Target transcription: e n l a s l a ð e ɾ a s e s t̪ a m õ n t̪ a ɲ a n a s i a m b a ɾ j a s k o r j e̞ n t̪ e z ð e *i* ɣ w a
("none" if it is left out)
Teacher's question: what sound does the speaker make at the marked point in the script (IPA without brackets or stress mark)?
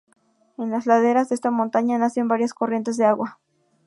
a